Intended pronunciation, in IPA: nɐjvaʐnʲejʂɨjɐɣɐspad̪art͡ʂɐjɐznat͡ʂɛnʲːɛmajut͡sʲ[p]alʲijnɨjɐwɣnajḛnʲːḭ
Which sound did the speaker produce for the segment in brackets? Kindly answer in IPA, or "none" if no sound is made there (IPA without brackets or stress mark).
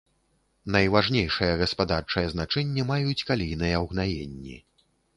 k